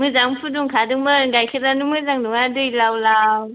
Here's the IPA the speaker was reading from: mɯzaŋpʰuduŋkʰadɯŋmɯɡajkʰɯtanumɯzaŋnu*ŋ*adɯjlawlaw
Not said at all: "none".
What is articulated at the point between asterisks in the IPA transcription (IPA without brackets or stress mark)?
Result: ŋ